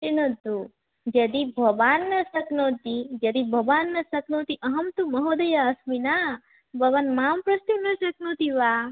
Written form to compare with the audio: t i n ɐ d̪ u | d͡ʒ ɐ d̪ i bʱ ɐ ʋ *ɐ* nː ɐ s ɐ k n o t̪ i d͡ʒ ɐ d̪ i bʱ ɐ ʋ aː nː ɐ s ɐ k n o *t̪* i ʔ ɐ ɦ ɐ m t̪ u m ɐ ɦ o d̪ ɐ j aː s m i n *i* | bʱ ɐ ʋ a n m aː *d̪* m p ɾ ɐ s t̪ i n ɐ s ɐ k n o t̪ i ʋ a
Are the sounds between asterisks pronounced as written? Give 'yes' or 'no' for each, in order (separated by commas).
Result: no, yes, no, no